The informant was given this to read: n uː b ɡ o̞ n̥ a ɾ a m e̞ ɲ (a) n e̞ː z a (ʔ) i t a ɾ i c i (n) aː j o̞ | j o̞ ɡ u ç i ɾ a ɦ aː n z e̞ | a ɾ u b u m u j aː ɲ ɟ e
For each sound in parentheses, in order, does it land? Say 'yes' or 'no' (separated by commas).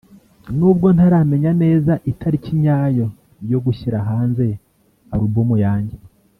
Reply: yes, yes, no